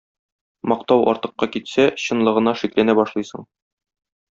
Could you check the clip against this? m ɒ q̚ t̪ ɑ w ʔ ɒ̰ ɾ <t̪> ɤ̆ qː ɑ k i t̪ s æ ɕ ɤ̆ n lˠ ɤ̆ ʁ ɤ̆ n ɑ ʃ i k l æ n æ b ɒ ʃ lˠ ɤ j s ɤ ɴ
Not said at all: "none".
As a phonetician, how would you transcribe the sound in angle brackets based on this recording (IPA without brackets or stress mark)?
t̪